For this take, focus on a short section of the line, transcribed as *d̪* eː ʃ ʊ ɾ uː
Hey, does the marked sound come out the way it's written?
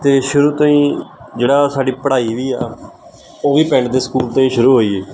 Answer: no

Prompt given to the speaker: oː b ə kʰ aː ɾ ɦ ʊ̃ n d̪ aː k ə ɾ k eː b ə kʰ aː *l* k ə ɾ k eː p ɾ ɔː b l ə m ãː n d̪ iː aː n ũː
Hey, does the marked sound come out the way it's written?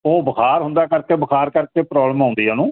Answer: no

